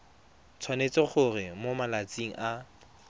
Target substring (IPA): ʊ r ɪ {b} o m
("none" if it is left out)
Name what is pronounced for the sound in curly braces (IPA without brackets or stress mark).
m